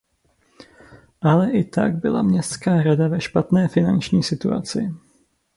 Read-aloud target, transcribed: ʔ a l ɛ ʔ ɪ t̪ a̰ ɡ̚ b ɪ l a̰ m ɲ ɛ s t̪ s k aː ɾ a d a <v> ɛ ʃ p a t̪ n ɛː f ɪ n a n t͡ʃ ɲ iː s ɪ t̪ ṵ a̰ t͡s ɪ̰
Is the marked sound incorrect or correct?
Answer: correct